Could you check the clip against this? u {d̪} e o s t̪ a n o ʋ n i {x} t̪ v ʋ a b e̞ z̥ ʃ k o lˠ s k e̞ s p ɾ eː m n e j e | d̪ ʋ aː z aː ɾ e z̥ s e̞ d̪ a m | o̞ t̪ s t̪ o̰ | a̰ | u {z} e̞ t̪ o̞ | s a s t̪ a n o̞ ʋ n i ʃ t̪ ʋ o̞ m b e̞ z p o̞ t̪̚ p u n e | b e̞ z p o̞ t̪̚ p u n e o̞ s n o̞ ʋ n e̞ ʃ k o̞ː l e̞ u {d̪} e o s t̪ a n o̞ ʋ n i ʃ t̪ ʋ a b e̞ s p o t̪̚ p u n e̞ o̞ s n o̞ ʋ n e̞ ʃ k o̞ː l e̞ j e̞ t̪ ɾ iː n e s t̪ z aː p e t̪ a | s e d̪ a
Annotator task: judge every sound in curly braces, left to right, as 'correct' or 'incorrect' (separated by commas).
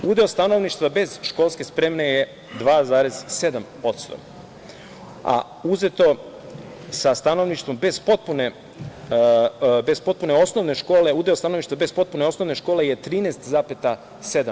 correct, incorrect, correct, correct